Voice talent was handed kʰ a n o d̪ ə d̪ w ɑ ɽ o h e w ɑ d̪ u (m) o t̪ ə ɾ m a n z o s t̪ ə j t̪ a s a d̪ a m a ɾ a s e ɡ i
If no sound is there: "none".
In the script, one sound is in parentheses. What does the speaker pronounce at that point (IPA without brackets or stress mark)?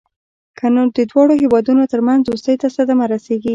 n